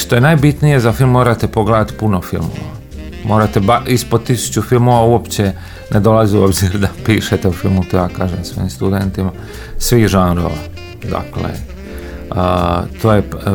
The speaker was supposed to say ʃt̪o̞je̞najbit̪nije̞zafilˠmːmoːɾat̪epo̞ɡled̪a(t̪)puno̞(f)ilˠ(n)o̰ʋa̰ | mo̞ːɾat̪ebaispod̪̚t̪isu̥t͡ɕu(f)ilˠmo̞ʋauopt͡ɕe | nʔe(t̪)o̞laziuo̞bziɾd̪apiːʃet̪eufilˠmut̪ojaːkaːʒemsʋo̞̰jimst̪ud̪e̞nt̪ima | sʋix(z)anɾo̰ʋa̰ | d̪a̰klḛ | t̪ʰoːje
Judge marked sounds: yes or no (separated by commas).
yes, yes, no, yes, no, no